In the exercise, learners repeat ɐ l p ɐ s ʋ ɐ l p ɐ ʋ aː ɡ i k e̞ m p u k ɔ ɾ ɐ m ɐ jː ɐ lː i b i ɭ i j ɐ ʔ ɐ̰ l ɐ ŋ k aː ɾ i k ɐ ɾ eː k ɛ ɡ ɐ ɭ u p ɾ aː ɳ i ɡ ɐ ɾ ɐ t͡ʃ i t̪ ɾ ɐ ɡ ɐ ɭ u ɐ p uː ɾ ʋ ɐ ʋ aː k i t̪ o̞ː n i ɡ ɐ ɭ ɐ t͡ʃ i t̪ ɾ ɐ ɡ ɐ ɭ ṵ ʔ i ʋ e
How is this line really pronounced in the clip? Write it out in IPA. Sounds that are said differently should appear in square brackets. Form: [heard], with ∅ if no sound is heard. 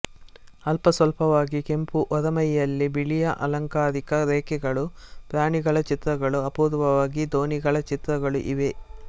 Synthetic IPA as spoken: ɐ l p ɐ s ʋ ɐ l p ɐ ʋ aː ɡ i k e̞ m p u [ʔ] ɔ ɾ ɐ m ɐ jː ɐ lː i b i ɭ i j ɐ ʔ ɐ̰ l ɐ ŋ k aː ɾ i k ɐ ɾ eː k ɛ ɡ ɐ ɭ u p ɾ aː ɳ i ɡ ɐ [ɭ] ɐ t͡ʃ i t̪ ɾ ɐ ɡ ɐ ɭ u ɐ p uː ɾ ʋ ɐ ʋ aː [ɡ] i [d̪] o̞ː n i ɡ ɐ ɭ ɐ t͡ʃ i t̪ ɾ ɐ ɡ ɐ ɭ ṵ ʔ i ʋ e